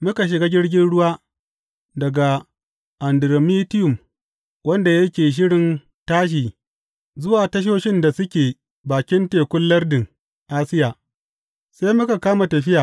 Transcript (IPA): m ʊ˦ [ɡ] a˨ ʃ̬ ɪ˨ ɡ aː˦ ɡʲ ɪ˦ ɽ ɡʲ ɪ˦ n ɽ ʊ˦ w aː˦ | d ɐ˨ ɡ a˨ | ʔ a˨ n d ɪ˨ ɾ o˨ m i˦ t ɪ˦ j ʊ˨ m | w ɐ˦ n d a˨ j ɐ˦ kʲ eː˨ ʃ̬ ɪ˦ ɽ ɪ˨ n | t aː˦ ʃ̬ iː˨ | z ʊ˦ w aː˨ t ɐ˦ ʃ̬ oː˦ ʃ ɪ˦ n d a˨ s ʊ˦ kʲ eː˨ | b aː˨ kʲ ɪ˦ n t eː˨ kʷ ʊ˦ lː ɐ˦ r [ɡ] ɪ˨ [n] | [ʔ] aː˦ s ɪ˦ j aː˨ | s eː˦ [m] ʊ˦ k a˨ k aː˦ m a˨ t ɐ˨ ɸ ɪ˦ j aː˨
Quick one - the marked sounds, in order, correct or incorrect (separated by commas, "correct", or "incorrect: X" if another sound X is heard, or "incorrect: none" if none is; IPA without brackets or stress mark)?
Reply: incorrect: k, incorrect: d, incorrect: ŋ, correct, correct